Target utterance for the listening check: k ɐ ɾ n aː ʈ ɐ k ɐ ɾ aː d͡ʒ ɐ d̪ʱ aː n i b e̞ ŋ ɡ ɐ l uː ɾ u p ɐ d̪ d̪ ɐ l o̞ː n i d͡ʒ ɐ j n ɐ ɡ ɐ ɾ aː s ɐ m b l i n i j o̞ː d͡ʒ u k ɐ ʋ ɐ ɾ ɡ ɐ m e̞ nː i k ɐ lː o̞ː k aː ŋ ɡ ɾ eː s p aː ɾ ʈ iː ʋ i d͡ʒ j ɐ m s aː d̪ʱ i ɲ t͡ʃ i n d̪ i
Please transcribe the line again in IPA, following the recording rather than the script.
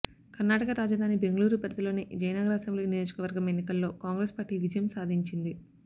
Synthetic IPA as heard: k ɐ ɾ n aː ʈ ɐ k ɐ ɾ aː d͡ʒ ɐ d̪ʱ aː n i b e̞ ŋ ɡ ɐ l uː ɾ u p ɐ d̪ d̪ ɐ l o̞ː n i d͡ʒ ɐ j n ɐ ɡ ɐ ɾ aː s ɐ m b l i n i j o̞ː d͡ʒ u k ɐ ʋ ɐ ɾ ɡ ɐ m e̞ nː i k ɐ lː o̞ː k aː ŋ ɡ ɾ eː s p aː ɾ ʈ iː ʋ i d͡ʒ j ɐ m s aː d̪ʱ i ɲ t͡ʃ i n d̪ i